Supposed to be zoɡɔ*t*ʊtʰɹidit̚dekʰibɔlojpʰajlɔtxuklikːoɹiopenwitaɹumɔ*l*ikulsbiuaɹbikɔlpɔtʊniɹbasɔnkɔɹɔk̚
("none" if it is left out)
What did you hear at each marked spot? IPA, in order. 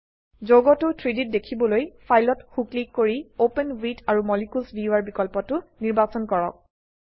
t, l

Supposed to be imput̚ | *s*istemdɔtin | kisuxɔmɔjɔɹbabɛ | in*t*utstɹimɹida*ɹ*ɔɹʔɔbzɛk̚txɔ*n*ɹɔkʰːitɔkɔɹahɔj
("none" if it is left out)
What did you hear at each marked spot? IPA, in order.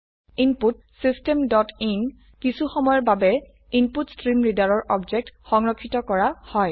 s, p, ɹ, ŋ

